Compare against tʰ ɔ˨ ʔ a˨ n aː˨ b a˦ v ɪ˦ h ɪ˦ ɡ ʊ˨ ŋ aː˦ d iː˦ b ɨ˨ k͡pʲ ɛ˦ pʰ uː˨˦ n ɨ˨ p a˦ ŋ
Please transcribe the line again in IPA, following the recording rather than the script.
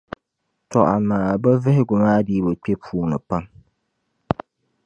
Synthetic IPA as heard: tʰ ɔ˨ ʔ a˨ n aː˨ b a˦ v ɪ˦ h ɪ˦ ɡ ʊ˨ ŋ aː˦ d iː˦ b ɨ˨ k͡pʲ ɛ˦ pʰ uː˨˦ n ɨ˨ p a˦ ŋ